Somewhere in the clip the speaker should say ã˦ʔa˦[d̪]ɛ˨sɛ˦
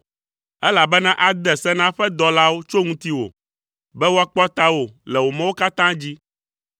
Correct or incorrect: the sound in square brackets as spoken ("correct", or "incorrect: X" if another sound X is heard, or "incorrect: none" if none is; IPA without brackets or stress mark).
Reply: correct